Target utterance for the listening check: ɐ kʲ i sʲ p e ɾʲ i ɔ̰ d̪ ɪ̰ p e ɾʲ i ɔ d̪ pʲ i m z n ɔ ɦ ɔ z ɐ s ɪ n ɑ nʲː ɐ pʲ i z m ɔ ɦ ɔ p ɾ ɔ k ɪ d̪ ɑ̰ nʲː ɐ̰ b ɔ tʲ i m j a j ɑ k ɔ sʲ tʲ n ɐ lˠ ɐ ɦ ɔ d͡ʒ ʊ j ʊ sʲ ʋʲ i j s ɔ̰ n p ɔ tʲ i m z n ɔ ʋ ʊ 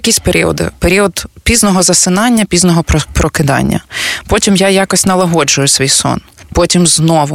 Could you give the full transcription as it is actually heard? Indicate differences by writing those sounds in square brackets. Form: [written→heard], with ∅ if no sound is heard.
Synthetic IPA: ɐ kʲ i sʲ p e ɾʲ i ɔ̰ d̪ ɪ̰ p e ɾʲ i ɔ d̪ pʲ i [m→∅] z n ɔ ɦ ɔ z ɐ s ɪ n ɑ nʲː ɐ pʲ i z [m→n] ɔ ɦ ɔ p ɾ ɔ k ɪ d̪ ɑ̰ nʲː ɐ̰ [b→p] ɔ tʲ i m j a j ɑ k ɔ sʲ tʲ n ɐ lˠ ɐ ɦ ɔ d͡ʒ ʊ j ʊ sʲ ʋʲ i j s ɔ̰ n p ɔ tʲ i m z n ɔ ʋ ʊ